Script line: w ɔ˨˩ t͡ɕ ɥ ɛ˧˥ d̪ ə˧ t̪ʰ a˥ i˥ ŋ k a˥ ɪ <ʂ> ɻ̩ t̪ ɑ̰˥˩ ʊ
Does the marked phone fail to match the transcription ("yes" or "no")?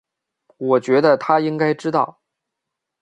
yes